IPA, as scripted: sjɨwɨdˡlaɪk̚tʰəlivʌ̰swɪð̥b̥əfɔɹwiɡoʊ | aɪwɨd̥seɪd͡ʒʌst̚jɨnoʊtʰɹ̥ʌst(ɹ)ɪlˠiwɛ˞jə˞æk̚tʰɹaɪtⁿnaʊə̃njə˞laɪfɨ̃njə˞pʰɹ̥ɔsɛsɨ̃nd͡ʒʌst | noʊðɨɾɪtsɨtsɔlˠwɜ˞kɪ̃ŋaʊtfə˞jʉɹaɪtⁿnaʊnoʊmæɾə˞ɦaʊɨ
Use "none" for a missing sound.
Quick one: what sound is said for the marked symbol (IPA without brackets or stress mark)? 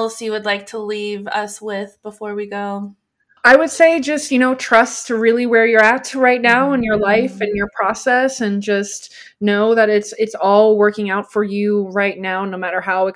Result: ɹ